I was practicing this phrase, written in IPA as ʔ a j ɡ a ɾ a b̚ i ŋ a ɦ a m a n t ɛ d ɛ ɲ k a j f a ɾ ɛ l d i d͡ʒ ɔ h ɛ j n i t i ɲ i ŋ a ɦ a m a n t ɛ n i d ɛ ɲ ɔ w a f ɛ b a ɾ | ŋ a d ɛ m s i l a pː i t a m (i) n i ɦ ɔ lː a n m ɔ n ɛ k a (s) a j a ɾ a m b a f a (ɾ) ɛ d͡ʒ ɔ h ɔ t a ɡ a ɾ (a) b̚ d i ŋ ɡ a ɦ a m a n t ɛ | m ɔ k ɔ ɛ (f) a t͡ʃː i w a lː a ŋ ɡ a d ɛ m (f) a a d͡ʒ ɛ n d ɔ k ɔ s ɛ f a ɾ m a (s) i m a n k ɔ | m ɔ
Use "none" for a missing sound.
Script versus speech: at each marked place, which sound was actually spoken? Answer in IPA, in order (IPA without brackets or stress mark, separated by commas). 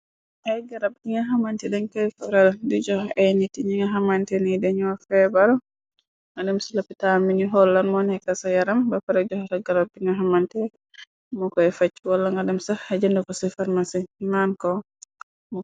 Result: i, s, ɾ, a, f, s, s